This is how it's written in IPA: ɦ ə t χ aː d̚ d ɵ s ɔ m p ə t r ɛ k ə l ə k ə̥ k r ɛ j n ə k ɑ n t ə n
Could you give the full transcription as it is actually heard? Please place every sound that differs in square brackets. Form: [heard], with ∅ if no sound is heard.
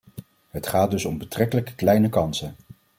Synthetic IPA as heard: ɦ ə t χ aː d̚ d ɵ s ɔ m [b] ə t r ɛ k ə l ə k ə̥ k [l] ɛ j n ə k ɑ n [s] ə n